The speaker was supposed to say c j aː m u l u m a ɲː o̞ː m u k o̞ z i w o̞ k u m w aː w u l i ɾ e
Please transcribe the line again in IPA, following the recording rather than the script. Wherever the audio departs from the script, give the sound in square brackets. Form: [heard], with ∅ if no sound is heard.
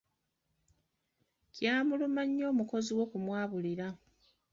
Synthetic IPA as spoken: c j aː m u l u m a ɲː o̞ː m u k o̞ z i w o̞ k u m w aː [β] u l i ɾ [a]